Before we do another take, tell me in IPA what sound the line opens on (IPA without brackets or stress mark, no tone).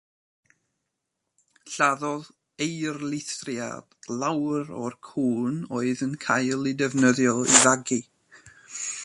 ɬ